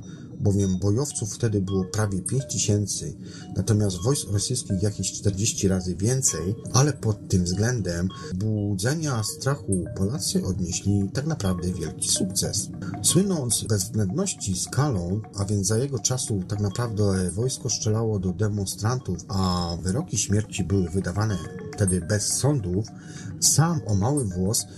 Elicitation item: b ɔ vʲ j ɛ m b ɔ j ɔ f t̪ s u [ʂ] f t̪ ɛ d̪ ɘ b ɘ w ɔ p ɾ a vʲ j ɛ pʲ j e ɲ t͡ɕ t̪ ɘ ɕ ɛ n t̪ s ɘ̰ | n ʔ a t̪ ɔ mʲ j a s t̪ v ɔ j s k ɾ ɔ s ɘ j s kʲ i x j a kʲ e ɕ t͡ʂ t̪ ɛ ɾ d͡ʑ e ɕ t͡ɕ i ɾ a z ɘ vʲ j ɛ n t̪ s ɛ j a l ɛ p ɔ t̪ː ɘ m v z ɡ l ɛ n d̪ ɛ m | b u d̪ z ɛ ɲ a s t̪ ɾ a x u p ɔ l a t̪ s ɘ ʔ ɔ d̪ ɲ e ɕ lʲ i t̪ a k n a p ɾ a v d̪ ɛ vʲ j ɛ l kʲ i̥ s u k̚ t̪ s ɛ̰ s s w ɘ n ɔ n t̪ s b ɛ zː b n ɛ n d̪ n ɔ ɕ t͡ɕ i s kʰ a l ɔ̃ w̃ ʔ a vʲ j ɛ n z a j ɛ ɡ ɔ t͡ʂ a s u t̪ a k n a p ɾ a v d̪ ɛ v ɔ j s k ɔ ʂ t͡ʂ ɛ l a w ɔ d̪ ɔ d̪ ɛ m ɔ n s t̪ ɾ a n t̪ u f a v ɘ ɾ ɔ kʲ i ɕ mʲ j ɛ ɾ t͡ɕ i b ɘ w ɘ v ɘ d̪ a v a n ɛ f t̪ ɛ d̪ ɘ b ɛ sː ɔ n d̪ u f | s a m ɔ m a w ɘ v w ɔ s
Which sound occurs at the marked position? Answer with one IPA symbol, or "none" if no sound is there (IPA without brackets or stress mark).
f